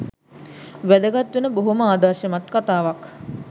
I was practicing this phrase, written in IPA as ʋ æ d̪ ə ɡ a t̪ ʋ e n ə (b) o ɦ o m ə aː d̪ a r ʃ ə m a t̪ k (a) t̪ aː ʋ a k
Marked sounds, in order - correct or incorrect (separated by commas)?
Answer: correct, correct